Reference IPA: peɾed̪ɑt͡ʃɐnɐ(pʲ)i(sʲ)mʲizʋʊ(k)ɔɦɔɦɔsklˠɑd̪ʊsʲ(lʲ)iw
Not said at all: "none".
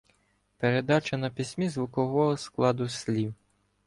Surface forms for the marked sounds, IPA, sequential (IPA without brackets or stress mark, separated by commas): pʲ, sʲ, k, lʲ